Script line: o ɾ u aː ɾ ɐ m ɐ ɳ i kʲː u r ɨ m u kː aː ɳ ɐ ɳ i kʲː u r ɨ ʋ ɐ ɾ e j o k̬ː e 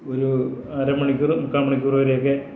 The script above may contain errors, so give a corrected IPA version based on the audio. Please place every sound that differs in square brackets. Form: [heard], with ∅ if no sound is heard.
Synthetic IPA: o ɾ u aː ɾ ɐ m ɐ ɳ i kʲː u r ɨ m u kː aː [m] ɐ ɳ i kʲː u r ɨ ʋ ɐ ɾ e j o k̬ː e